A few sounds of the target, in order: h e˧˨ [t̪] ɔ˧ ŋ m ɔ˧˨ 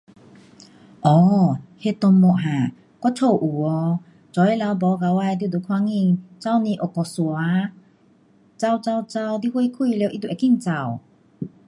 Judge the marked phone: correct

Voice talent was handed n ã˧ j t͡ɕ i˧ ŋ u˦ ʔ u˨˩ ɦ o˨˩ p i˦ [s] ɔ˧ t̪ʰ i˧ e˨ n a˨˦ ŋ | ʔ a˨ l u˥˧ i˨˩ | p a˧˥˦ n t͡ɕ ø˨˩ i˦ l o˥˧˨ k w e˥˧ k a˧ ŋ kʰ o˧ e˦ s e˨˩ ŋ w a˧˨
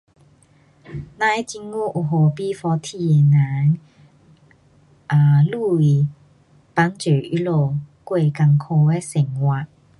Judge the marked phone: incorrect: f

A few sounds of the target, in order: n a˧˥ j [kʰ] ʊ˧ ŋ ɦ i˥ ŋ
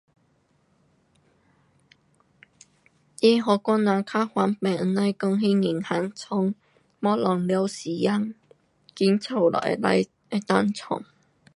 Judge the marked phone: incorrect: k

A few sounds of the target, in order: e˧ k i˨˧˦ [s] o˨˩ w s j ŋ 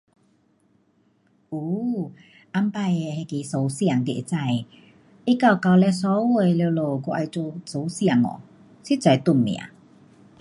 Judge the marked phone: correct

